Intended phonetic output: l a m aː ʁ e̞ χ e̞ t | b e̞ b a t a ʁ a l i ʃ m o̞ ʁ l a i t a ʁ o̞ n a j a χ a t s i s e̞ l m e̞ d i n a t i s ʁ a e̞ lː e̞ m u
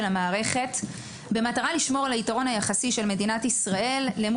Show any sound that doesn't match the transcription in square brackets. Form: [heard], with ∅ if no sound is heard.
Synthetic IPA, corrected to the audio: l a m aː ʁ e̞ χ e̞ t | b e̞ [m] a t a ʁ a l i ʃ m o̞ ʁ l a i t a ʁ o̞ n a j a χ a [∅] s i [ʃ] e̞ l m e̞ d i n a t i s ʁ a e̞ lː e̞ m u